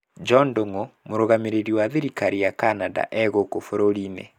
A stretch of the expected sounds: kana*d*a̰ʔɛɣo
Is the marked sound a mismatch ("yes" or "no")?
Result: no